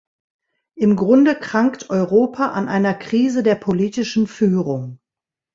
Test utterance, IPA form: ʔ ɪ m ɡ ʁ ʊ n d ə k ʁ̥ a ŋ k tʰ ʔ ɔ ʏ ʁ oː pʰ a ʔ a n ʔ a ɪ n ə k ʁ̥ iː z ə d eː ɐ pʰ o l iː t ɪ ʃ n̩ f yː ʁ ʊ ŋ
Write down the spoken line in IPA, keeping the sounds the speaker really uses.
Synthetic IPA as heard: ʔ ɪ m ɡ ʁ ʊ n d ə k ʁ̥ a ŋ k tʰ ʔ ɔ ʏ ʁ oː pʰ a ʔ a n ʔ a ɪ n ɐ k ʁ̥ iː z ə d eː ɐ pʰ o l iː t ɪ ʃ n̩ f yː ʁ ʊ ŋ